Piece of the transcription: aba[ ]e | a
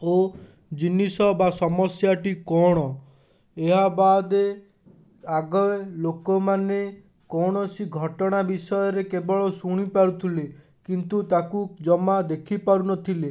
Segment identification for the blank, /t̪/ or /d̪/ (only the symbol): d̪